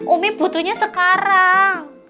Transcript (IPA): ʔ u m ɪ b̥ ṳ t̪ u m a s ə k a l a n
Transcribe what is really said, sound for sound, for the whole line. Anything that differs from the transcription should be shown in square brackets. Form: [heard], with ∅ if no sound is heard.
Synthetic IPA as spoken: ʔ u m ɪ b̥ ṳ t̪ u [ɲ] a s ə k a [ɾ] a [ŋ]